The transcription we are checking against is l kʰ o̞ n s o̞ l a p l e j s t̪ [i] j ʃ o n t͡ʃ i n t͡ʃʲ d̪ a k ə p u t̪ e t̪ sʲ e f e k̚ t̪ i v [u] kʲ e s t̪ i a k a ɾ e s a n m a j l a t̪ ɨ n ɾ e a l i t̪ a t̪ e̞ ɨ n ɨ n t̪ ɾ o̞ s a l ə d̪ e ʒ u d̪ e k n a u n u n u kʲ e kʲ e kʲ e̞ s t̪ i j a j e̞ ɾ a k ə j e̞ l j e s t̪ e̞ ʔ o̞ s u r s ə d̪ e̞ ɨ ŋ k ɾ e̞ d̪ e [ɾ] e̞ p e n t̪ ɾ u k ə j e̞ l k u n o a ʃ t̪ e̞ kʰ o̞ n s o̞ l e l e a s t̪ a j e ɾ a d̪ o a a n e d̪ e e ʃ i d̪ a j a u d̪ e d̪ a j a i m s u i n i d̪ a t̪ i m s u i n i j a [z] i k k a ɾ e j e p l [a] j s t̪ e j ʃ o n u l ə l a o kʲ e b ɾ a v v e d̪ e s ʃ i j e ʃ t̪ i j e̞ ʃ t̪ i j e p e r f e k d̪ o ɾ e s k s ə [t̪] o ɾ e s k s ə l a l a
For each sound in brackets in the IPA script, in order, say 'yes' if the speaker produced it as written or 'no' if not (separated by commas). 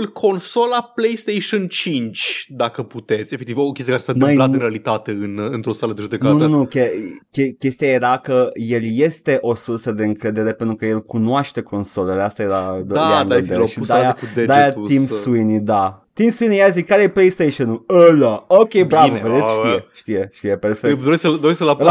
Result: no, no, yes, yes, no, no